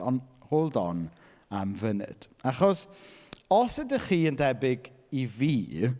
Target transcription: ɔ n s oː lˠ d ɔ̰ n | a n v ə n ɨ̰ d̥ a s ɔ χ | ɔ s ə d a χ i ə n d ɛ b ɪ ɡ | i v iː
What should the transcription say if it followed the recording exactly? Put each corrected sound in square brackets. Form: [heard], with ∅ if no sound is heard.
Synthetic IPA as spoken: ɔ n [h] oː lˠ d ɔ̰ n | a [m] v ə n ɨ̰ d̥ a [χ] ɔ [s] | ɔ s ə d [ə] χ [iː] ə n d ɛ b ɪ ɡ | i v iː